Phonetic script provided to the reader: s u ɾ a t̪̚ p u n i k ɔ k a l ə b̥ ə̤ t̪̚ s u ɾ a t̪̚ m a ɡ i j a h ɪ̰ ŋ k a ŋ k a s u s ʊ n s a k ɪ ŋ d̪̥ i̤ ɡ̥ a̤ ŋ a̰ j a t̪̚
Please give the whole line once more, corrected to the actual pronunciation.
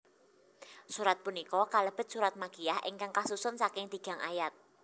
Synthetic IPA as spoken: s u ɾ a t̪̚ p u n i k ɔ k a l ə b̥ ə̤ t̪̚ s u ɾ a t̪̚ m a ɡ i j a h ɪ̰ ŋ k a ŋ k a s u s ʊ n s a k ɪ ŋ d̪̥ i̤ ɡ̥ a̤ ŋ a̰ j a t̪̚